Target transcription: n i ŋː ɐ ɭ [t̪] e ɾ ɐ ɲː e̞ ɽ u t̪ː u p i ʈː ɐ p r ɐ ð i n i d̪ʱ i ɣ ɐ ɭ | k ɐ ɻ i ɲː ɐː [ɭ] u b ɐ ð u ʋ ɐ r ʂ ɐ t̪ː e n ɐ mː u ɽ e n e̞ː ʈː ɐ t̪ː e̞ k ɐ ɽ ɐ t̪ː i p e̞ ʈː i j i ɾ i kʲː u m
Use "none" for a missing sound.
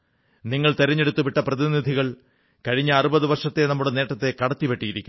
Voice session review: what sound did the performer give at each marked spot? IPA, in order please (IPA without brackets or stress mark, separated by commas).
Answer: t̪, r